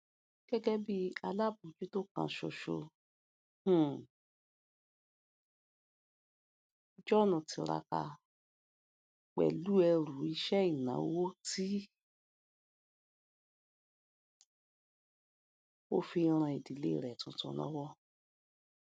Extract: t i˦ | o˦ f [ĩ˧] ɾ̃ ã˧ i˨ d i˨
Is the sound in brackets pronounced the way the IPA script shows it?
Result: no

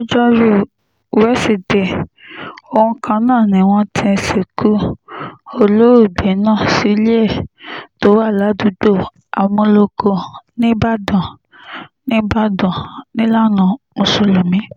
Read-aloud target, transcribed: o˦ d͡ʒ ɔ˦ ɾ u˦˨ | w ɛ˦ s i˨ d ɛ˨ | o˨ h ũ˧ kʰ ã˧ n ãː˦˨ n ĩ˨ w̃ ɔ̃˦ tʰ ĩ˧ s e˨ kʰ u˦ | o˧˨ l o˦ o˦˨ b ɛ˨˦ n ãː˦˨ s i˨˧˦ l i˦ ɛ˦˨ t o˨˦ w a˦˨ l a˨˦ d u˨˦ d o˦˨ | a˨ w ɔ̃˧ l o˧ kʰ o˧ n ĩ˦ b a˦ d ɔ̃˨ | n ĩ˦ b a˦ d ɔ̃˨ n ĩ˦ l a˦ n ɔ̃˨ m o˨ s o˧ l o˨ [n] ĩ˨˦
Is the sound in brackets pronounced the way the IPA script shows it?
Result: no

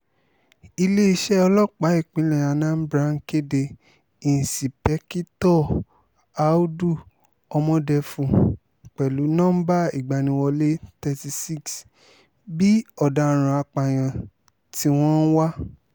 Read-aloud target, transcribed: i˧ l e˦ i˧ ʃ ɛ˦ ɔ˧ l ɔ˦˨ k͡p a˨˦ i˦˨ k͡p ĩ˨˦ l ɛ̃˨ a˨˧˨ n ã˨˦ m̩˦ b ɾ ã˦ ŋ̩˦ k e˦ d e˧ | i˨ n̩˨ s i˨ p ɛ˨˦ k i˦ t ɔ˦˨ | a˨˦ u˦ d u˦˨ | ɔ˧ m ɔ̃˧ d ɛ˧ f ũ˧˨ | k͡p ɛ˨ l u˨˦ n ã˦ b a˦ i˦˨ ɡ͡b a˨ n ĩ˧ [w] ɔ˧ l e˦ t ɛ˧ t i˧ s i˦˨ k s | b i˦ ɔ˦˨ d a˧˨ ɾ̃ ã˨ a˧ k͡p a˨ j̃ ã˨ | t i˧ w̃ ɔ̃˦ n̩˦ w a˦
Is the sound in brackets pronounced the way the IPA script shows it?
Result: yes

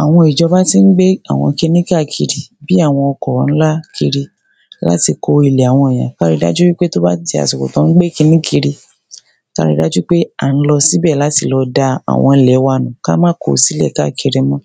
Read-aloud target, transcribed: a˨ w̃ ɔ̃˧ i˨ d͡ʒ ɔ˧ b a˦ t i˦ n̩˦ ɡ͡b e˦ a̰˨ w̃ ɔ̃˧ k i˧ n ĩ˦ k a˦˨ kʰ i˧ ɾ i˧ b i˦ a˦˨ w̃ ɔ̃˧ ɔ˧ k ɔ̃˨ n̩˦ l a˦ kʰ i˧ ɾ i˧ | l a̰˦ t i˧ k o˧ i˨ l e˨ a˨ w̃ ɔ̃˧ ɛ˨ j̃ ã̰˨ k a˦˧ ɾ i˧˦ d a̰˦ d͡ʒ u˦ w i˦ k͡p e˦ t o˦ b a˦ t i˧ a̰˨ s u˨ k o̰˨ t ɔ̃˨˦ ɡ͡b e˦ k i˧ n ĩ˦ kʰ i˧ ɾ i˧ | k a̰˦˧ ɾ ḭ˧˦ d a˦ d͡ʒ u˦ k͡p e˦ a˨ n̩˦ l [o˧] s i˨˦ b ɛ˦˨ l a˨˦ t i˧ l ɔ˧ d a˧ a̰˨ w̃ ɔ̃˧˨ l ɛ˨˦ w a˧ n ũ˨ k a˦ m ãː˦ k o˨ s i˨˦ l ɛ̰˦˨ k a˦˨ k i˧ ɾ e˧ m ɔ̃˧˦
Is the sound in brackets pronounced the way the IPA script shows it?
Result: no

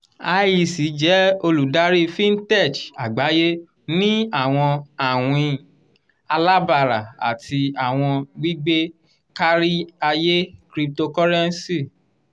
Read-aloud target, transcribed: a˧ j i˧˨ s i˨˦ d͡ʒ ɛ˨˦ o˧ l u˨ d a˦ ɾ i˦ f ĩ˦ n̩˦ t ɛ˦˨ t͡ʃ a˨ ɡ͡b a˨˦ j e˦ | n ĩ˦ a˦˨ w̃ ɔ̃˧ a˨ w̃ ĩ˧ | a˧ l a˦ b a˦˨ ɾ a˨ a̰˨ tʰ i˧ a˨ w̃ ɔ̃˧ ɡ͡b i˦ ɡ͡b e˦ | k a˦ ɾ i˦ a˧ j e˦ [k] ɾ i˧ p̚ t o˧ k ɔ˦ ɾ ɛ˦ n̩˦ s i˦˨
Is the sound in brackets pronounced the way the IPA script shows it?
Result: yes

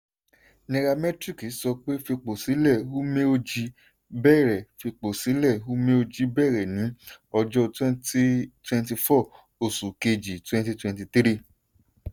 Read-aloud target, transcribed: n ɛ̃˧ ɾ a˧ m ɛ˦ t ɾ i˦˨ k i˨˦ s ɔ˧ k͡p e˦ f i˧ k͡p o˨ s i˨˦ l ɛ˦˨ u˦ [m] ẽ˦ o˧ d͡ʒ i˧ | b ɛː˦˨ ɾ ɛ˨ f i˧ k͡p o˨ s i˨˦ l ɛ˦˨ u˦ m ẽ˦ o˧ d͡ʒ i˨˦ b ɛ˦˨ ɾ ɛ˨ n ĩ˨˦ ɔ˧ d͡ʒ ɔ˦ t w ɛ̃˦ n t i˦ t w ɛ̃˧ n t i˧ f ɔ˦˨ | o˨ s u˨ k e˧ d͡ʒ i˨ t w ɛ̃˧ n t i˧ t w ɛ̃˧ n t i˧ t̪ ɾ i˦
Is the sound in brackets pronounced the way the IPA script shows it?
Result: yes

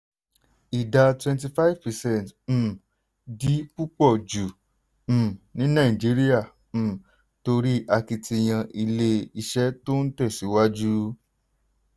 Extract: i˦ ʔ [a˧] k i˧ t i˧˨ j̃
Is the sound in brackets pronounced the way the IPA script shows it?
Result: yes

